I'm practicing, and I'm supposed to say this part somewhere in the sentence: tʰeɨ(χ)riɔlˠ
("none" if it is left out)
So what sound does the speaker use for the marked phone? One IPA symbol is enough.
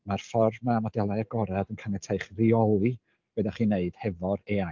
χ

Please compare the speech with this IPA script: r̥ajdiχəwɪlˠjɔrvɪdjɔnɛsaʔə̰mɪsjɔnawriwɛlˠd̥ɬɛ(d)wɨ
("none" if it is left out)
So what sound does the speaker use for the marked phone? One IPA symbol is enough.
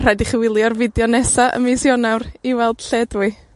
d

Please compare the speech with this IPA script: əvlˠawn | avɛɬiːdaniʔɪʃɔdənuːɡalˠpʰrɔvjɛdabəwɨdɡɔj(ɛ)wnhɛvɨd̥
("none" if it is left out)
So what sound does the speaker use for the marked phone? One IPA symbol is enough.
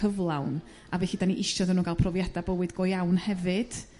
a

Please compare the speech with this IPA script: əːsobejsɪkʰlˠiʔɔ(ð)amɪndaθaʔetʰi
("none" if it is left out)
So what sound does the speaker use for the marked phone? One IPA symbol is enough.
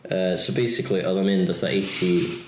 ð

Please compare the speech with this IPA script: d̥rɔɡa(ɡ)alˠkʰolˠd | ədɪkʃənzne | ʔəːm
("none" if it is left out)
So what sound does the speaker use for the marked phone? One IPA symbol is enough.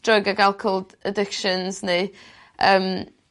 ɡ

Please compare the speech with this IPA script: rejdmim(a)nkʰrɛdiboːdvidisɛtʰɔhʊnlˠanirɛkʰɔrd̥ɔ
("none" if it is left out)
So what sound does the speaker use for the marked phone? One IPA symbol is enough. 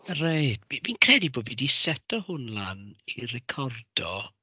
i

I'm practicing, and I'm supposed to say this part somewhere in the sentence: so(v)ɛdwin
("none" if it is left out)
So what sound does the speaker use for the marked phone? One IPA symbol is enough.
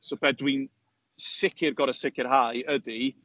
b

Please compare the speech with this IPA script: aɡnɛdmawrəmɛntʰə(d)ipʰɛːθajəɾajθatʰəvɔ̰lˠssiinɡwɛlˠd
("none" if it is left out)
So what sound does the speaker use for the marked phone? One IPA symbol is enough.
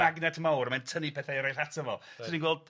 n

